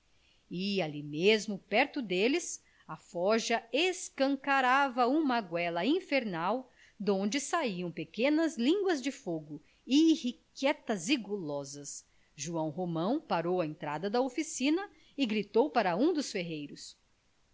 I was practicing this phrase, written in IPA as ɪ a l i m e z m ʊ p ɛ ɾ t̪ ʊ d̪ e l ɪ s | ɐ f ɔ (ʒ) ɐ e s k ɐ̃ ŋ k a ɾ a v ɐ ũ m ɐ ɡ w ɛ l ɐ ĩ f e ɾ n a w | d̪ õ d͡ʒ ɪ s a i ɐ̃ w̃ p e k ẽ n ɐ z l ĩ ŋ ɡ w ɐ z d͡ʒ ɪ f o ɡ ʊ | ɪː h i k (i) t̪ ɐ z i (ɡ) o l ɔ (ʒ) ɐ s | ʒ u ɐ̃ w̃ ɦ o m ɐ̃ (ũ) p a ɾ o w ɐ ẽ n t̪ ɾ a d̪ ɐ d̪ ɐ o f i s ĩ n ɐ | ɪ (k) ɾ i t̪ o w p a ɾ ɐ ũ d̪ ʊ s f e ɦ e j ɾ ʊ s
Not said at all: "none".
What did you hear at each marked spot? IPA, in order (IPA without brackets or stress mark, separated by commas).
ʒ, ɛ, ɡ, z, w̃, ɡ